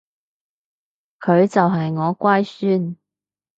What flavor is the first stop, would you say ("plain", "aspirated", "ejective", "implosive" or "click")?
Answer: aspirated